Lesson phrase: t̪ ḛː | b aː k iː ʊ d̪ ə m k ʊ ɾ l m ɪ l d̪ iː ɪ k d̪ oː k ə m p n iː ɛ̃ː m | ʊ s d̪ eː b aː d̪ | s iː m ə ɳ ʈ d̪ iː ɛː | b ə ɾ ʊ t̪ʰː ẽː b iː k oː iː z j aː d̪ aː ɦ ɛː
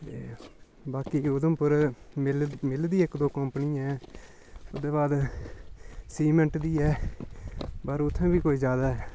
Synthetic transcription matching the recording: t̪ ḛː | b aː k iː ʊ d̪ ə m p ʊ ɾ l m ɪ l d̪ iː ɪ k d̪ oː k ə m p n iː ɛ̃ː | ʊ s d̪ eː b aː d̪ | s iː m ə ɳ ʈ d̪ iː ɛː | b ə ɾ ʊ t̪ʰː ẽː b iː k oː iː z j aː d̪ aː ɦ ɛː